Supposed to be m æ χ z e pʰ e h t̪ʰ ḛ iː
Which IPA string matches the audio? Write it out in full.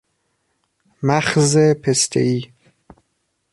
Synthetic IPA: m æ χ z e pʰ e s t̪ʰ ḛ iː